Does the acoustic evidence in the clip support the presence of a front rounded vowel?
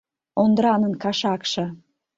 no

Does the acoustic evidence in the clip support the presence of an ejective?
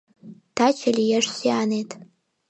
yes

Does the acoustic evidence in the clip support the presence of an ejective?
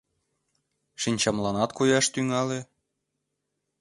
no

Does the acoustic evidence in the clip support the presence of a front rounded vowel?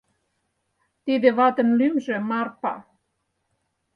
yes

